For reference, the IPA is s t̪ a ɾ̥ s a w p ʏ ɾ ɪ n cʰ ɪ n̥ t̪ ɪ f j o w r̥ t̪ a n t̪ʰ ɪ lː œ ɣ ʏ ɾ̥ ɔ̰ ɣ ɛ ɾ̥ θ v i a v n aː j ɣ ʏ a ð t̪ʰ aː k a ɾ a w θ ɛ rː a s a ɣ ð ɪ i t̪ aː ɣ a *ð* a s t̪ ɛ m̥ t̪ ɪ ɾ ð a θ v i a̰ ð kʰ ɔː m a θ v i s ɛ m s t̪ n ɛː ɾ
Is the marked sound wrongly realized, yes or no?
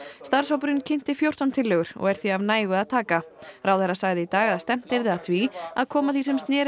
no